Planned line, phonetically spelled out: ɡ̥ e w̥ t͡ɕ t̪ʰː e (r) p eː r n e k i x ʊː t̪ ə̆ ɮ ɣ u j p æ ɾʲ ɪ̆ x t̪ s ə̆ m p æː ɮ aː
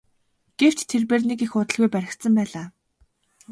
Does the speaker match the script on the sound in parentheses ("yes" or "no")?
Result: yes